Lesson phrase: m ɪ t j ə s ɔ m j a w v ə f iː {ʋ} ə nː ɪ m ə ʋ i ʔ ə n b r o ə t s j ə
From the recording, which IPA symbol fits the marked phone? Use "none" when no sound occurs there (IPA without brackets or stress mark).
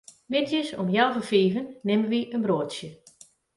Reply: v